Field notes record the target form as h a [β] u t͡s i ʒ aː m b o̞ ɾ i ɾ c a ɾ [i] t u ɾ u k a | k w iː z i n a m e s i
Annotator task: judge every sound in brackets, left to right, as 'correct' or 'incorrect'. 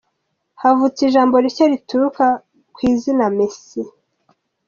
incorrect: v, correct

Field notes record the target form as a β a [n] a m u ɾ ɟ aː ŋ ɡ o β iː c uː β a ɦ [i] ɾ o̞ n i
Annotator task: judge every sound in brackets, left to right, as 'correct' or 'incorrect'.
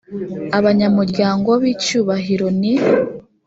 incorrect: ɲ, correct

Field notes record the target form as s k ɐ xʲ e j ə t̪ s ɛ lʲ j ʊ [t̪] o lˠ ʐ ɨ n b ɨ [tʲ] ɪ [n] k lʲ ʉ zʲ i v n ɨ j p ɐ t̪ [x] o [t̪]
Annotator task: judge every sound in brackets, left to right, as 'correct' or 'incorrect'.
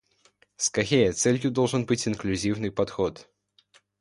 incorrect: d̪, correct, correct, correct, correct

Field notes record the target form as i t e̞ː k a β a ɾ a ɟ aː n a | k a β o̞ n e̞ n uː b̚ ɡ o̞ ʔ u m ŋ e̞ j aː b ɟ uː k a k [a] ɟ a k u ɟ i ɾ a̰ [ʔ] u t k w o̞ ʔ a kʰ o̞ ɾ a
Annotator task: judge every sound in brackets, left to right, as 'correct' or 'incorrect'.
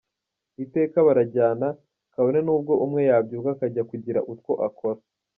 correct, correct

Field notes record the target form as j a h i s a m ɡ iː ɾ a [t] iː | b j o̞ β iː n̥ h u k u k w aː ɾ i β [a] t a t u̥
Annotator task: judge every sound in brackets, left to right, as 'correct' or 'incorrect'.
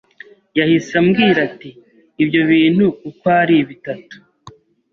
correct, incorrect: i

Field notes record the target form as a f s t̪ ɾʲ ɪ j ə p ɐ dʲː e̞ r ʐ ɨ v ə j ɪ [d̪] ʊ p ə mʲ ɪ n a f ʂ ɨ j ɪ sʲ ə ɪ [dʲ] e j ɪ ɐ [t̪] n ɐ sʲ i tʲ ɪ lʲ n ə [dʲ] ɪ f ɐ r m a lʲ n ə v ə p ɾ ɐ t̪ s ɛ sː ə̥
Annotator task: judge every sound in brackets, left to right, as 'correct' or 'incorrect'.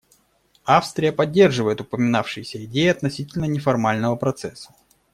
incorrect: t̪, correct, correct, incorrect: nʲ

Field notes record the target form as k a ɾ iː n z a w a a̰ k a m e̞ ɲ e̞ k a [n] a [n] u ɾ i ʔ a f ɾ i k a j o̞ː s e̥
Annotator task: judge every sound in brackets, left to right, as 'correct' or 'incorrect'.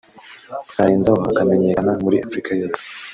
correct, incorrect: m

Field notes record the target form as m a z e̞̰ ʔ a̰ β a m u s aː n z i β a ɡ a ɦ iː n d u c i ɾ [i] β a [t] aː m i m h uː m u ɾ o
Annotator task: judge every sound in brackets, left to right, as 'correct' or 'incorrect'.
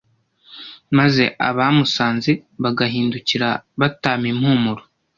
incorrect: a, correct

